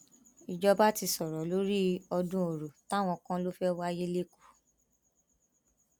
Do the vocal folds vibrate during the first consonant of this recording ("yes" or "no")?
yes